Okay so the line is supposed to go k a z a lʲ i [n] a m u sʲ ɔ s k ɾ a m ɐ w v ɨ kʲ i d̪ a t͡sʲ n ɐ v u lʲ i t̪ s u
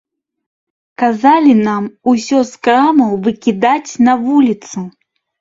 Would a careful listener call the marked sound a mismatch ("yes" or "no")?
no